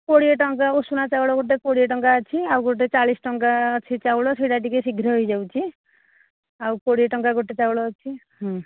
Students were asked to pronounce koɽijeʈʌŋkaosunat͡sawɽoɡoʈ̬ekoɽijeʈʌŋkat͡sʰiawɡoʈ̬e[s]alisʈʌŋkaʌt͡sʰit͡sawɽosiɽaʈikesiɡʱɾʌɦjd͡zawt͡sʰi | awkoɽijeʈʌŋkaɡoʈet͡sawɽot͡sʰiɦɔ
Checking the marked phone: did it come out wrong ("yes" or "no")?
yes